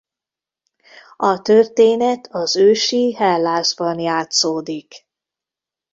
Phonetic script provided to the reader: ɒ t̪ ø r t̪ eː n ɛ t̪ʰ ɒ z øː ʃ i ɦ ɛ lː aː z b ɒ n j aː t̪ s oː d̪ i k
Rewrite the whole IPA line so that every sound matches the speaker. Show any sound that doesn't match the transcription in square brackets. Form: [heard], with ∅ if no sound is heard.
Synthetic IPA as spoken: ɒ t̪ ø r t̪ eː n ɛ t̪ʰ ɒ z øː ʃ i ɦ ɛ lː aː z b ɒ n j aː t̪ s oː d̪ i k